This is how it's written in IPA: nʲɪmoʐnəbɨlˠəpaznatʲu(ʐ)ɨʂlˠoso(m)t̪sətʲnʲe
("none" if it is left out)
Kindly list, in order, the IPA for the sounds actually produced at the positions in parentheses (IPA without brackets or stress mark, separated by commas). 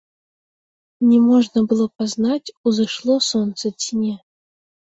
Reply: z, n